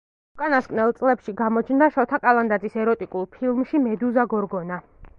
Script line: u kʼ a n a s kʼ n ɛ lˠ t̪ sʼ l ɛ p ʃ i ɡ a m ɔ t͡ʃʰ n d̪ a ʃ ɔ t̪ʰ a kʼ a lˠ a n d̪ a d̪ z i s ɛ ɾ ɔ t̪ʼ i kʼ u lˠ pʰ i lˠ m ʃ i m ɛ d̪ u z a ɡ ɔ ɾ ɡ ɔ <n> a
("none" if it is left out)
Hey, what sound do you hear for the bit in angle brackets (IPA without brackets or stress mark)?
n